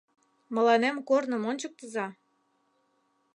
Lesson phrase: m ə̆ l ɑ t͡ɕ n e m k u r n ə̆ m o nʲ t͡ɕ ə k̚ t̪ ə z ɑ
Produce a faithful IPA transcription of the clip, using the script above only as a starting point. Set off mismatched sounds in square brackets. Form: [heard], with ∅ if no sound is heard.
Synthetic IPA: m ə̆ l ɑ [∅] n e m k [o] r n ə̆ m o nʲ t͡ɕ ə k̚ t̪ ə z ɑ